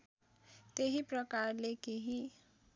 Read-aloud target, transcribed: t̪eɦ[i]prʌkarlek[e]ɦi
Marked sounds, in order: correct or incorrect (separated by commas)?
correct, correct